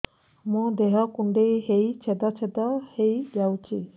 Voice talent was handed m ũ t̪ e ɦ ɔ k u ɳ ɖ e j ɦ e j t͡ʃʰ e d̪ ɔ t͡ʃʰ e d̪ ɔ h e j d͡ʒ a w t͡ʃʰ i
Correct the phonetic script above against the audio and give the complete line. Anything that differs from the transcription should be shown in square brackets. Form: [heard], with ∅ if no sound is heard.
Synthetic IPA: m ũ [d̪] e ɦ ɔ k u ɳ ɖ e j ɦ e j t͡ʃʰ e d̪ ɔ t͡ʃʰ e d̪ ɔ h e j d͡ʒ a w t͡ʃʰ i